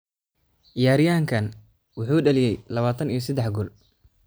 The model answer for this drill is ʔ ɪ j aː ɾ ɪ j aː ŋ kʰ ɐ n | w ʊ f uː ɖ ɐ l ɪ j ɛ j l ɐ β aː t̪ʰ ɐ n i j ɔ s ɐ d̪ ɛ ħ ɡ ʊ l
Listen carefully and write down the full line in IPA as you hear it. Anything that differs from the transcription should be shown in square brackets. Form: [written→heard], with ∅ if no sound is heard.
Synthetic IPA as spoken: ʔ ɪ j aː ɾ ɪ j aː ŋ kʰ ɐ n | w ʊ [f→ħ] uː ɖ ɐ l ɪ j ɛ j l ɐ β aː t̪ʰ ɐ n i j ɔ s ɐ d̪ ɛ ħ ɡ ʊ l